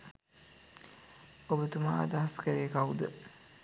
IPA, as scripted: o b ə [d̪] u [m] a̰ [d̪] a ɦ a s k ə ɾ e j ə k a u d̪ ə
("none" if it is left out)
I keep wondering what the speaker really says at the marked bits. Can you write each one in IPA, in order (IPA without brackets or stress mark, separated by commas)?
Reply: t̪, m, d̪